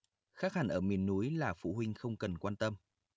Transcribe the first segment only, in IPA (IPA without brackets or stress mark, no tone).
x